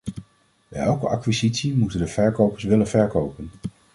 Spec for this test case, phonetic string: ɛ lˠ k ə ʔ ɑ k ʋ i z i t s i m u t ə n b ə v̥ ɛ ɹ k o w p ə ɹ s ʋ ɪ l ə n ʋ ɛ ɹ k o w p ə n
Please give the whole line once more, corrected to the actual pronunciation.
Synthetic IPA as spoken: ɛ lˠ k ə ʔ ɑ k ʋ i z i t s i m u t ə n d ə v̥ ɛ ɹ k o w p ə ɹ s ʋ ɪ l ə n v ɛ ɹ k o w p ə n